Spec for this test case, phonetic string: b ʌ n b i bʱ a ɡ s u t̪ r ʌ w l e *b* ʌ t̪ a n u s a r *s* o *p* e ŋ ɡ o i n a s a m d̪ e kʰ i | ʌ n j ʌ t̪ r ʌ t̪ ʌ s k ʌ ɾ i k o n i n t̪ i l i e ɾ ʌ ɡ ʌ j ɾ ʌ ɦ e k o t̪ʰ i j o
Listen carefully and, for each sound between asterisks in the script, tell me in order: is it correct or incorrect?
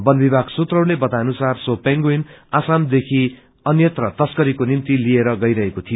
correct, correct, correct

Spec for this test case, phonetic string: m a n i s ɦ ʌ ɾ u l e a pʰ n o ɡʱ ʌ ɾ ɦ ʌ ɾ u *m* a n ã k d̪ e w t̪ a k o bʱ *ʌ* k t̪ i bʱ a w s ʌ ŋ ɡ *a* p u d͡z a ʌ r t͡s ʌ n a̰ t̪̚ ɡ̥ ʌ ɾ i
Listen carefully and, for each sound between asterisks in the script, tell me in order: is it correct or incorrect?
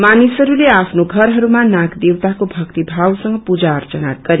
correct, correct, incorrect

